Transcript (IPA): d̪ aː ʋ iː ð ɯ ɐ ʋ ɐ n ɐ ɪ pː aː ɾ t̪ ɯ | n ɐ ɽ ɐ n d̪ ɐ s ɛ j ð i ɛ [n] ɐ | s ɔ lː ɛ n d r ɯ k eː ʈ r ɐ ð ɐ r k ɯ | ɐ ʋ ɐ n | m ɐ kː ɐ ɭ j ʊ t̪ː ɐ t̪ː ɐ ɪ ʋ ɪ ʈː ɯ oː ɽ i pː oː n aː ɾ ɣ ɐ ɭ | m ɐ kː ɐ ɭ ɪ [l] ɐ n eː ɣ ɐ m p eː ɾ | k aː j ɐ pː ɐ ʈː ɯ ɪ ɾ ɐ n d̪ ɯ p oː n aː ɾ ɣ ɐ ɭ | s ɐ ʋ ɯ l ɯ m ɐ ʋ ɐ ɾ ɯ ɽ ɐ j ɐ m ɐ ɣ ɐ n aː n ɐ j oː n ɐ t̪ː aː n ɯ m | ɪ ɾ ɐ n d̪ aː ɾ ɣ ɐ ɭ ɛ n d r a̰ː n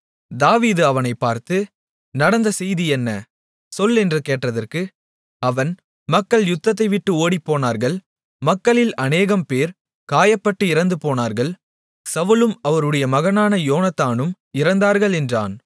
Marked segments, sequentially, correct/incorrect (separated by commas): incorrect, correct